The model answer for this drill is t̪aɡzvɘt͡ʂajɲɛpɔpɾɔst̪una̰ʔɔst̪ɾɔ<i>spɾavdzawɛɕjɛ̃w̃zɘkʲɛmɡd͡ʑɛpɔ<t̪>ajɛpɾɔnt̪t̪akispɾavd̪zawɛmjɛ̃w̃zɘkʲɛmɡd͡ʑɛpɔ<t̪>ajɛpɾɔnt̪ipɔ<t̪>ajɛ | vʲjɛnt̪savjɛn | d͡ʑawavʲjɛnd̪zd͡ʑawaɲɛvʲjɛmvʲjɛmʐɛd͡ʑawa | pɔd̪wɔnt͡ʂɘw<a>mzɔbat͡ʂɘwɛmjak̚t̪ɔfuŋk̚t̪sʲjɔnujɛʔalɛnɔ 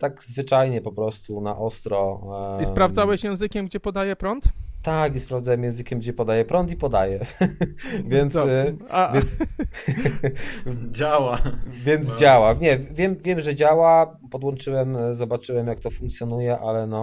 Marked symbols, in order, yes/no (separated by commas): yes, no, no, no, no